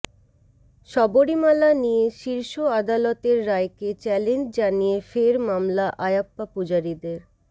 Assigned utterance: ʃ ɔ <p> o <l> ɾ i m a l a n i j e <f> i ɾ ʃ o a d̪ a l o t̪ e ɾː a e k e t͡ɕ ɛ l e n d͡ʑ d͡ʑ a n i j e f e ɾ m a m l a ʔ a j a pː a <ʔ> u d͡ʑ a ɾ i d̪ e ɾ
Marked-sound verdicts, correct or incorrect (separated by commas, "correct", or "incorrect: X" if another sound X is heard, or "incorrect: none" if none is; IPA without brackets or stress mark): incorrect: b, incorrect: none, incorrect: ʃ, incorrect: p